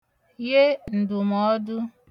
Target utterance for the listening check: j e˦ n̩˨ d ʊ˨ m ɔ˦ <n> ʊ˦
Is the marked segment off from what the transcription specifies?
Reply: yes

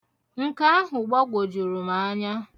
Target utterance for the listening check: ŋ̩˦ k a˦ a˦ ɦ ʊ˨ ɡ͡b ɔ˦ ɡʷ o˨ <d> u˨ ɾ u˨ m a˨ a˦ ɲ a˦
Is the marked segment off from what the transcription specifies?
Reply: yes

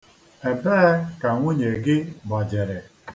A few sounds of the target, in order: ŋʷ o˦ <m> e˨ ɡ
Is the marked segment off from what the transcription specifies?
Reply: yes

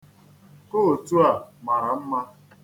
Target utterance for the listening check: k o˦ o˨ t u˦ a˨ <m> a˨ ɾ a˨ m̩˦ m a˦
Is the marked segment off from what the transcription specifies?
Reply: no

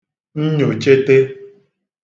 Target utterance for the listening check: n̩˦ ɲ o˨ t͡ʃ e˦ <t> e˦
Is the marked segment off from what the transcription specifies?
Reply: no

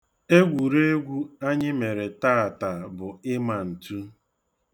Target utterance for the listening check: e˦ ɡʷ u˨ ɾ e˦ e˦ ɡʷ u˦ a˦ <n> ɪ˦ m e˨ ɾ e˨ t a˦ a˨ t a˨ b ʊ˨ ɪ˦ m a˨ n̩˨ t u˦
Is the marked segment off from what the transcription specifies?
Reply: yes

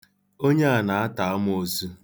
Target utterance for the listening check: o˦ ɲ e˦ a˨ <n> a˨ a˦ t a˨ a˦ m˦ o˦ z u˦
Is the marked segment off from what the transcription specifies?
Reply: no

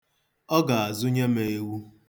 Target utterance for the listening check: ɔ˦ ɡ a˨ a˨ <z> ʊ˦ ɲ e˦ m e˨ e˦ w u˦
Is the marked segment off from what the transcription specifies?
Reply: no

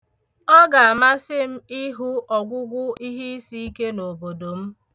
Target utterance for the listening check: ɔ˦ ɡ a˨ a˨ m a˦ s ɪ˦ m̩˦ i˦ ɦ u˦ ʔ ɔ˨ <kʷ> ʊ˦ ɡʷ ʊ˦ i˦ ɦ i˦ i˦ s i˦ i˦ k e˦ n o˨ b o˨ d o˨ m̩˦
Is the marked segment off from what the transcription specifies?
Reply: yes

